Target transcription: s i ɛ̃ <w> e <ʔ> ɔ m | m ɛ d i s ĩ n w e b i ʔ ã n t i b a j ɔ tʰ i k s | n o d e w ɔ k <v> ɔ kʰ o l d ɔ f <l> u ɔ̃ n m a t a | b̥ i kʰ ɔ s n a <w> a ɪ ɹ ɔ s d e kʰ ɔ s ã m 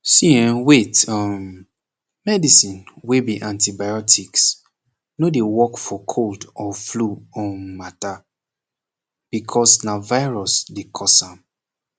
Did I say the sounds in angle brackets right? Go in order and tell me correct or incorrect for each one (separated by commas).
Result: correct, incorrect, incorrect, correct, incorrect